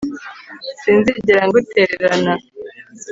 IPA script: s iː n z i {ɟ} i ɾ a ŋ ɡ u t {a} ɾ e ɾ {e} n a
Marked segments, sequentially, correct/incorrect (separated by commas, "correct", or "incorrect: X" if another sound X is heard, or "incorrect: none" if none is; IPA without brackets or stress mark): correct, incorrect: e, incorrect: a